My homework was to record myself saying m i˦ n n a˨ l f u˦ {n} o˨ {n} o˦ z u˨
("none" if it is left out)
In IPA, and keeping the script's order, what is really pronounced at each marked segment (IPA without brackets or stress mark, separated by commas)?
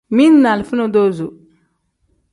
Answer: n, d